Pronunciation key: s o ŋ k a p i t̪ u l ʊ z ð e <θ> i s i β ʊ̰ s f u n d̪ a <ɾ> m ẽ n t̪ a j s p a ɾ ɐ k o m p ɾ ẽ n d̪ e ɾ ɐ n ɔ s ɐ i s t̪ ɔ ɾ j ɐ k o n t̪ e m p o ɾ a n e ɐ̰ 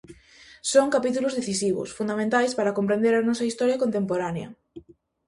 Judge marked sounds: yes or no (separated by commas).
yes, no